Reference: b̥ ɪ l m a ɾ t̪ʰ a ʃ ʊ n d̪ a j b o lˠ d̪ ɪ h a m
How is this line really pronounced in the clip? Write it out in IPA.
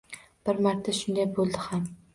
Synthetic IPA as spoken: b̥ ɪ ɾ m a ɾ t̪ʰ a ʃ ʊ n d̪ a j b o lˠ d̪ ɪ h a m